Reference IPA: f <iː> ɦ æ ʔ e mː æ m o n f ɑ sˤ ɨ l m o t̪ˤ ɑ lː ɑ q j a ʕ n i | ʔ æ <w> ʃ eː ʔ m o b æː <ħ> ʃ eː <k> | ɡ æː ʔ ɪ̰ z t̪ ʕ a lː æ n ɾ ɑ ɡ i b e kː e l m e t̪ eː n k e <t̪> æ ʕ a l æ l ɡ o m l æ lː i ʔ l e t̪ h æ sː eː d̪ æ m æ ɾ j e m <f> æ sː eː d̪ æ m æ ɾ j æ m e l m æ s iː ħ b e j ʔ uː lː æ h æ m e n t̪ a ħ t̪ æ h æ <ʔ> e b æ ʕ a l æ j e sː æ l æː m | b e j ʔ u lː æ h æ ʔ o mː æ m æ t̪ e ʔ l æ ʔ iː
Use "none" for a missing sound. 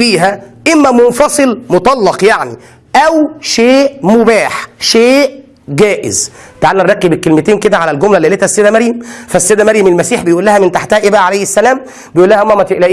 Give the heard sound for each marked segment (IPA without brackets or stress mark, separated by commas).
iː, w, ħ, ʔ, d̪, f, ʔ